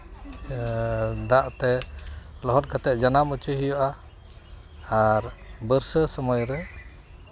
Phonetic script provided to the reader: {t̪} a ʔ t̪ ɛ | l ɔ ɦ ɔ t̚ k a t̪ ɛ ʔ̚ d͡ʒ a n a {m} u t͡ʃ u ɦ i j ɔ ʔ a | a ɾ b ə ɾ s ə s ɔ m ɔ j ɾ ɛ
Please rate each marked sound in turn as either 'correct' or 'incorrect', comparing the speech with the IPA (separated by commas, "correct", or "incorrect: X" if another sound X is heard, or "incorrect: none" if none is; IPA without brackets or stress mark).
incorrect: d̪, correct